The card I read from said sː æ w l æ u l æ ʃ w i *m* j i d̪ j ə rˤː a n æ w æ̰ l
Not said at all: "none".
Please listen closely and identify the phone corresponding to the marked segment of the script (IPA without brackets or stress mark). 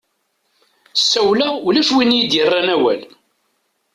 n